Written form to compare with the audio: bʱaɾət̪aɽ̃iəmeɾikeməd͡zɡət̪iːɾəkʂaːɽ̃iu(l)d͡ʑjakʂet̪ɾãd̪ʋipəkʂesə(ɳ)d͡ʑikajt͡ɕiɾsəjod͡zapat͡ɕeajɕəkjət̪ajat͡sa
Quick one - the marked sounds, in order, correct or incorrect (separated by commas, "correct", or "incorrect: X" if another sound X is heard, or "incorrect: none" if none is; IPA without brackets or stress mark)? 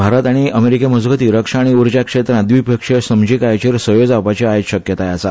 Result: incorrect: ɾ, incorrect: m